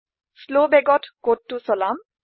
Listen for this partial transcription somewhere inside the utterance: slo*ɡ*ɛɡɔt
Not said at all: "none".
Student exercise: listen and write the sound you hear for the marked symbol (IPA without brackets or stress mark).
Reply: b